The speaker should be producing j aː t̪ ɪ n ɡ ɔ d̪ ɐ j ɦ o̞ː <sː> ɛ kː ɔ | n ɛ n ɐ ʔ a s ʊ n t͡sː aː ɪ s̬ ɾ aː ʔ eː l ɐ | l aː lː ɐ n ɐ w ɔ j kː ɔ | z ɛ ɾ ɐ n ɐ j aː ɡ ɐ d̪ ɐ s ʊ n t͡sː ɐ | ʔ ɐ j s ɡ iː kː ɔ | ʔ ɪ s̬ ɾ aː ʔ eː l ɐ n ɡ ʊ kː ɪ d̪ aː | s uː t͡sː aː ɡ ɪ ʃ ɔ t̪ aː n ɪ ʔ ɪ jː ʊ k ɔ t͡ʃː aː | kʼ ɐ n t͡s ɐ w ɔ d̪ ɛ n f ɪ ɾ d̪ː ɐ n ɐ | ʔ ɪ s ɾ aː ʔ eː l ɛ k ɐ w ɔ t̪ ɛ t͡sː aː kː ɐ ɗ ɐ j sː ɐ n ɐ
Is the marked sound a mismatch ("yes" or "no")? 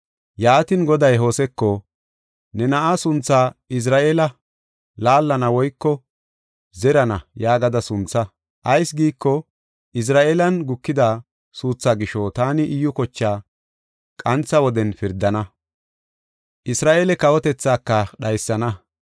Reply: yes